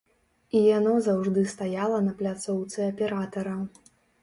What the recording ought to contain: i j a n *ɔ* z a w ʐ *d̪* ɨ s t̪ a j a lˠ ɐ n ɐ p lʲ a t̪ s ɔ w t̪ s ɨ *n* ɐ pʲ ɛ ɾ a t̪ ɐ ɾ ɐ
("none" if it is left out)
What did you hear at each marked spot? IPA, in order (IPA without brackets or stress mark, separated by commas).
ɔ, d̪, none